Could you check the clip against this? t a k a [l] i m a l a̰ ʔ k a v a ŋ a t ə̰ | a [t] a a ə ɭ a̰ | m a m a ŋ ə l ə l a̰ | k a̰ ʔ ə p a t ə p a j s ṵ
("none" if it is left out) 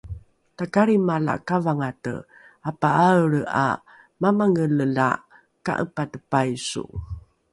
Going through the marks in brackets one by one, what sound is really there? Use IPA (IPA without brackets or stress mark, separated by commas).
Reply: ɾ, p